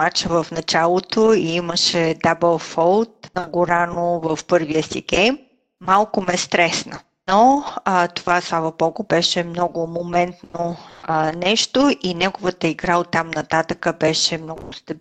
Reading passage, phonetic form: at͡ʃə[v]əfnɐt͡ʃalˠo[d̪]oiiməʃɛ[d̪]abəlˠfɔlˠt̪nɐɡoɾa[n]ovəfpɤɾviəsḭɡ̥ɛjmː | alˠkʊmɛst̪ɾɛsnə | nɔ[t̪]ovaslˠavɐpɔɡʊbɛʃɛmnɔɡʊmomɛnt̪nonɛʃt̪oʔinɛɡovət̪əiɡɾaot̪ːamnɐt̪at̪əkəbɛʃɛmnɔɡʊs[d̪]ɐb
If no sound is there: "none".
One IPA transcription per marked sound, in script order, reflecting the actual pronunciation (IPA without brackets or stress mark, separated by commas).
v, t̪, d̪, n, t̪, t̪